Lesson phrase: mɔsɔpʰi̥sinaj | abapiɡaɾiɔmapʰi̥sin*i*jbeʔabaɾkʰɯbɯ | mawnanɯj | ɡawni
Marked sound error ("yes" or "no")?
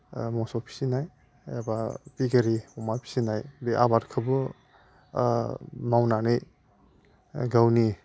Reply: yes